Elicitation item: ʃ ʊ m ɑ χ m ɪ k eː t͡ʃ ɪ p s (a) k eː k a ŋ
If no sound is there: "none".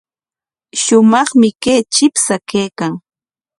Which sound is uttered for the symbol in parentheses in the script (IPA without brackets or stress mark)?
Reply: a